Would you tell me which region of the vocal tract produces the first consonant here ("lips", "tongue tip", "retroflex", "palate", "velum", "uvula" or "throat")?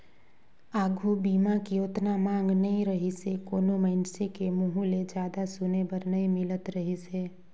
velum